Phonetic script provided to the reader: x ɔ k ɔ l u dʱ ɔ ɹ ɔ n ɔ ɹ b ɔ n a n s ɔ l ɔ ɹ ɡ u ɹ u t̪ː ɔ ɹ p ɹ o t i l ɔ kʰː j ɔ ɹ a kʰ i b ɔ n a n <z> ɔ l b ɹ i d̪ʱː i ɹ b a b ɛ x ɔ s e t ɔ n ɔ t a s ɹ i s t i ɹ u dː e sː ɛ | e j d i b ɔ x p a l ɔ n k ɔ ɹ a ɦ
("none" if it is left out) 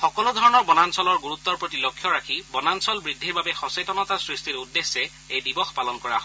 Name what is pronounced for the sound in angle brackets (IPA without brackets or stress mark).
s